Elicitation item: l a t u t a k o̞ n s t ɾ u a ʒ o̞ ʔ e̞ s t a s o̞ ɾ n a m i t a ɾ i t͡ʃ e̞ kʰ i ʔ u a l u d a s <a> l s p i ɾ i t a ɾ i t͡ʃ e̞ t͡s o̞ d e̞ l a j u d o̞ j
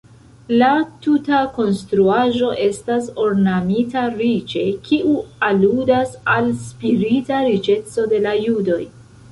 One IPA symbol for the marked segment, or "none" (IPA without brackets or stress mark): a